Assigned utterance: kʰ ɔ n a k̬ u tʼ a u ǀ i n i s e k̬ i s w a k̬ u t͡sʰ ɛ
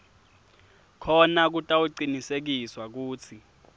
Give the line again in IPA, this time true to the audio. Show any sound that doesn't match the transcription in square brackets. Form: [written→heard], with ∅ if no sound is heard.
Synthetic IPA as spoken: kʰ ɔ n a k̬ u tʼ a u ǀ i n i s e k̬ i s w a k̬ [u→uː] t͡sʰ [ɛ→i]

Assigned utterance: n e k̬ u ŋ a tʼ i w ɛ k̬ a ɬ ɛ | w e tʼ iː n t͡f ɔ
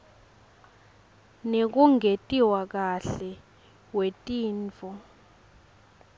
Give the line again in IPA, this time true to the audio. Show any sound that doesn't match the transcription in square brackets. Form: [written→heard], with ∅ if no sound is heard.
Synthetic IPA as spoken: n e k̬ u ŋ [a→e] tʼ i w [ɛ→a] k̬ a ɬ ɛ | w e tʼ iː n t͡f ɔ

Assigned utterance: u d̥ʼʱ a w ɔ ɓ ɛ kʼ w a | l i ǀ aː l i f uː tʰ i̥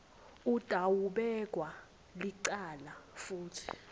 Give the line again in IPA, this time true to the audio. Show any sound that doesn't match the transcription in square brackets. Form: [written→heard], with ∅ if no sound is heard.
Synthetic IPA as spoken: u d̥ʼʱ a w [ɔ→u] ɓ ɛ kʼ w a | l i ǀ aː l [i→a] f uː tʰ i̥

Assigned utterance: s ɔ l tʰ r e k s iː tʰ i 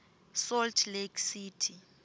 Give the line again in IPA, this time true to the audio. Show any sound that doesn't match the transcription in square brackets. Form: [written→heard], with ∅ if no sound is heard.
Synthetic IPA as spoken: s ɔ l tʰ [r→l] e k s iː tʰ i

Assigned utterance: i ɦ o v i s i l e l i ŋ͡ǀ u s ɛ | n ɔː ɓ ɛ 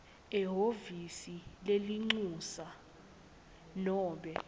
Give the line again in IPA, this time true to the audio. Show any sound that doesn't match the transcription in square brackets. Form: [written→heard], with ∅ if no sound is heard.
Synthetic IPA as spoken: [i→ɛ] ɦ o v i s i l e l i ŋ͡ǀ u s [ɛ→a] | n ɔː ɓ ɛ

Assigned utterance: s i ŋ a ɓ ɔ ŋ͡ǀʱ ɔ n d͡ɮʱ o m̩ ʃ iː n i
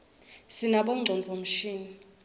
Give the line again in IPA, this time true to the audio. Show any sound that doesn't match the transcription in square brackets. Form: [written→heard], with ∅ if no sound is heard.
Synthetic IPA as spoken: s i [ŋ→n] a ɓ ɔ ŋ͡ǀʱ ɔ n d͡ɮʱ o m̩ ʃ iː n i

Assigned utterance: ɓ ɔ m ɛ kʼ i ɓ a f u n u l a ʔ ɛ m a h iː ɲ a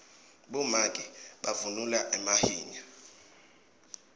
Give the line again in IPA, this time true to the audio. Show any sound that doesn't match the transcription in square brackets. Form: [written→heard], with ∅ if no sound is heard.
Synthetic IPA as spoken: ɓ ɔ m [ɛ→a] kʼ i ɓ a [f→v] u n u l a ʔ ɛ m a h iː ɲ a

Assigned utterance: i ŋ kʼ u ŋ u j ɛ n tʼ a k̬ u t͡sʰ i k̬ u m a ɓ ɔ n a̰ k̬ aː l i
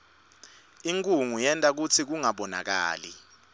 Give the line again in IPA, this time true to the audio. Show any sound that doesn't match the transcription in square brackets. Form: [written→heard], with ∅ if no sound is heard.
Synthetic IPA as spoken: i ŋ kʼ u ŋ u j ɛ n tʼ a k̬ u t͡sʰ i k̬ u [m→ŋ] a ɓ ɔ n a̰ k̬ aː l i

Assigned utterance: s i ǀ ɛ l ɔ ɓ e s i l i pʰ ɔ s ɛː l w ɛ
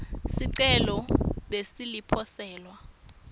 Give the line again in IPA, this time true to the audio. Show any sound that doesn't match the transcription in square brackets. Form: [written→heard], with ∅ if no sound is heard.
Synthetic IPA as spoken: s i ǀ ɛ l ɔ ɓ e s i l i pʰ ɔ s ɛː l w [ɛ→a]

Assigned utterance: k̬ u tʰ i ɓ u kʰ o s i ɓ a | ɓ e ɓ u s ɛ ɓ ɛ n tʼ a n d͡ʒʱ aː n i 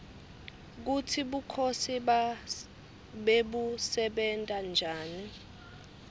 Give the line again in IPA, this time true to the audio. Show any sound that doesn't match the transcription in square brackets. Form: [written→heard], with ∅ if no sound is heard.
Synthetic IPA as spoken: k̬ u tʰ i ɓ u kʰ o s i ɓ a | ɓ e ɓ u s ɛ ɓ ɛ n tʼ a n d͡ʒʱ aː n i

